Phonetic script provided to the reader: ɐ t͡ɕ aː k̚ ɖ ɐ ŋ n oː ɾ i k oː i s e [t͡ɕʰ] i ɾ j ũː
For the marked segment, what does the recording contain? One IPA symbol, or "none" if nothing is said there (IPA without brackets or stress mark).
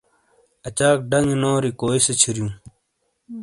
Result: t͡ɕʰ